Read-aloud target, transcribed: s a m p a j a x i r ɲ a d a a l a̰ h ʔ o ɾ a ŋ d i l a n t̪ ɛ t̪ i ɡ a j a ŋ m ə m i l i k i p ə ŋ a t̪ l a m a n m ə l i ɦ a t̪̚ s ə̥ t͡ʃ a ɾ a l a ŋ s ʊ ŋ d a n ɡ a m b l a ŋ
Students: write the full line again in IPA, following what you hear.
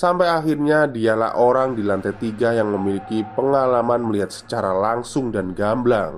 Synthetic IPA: s a m p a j a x i r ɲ a d i a l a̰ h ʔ o ɾ a ŋ d i l a n t̪ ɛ t̪ i ɡ a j a ŋ m ə m i l i k i p ə ŋ a l a m a n m ə l i ɦ a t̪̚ s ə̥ t͡ʃ a ɾ a l a ŋ s ʊ ŋ d a n ɡ a m b l a ŋ